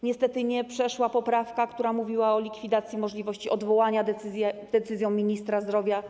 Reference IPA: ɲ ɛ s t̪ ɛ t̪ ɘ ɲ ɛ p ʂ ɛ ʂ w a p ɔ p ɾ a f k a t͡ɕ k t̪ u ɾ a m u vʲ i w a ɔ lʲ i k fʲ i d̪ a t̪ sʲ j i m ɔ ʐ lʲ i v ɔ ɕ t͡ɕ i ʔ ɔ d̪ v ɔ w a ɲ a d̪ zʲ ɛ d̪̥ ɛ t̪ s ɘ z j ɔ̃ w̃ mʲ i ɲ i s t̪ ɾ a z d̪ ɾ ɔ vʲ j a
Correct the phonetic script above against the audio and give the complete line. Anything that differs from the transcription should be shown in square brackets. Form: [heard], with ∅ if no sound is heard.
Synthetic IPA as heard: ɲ ɛ s t̪ ɛ t̪ ɘ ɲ ɛ p ʂ ɛ ʂ w a p ɔ p ɾ a f k a [∅] k t̪ u ɾ a m u vʲ i w a ɔ lʲ i k fʲ i d̪ a t̪ sʲ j i m ɔ ʐ lʲ i v ɔ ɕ t͡ɕ i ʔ ɔ d̪ v ɔ w a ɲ a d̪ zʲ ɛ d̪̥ ɛ t̪ s ɘ z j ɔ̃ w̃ mʲ i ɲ i s t̪ ɾ a z d̪ ɾ ɔ vʲ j a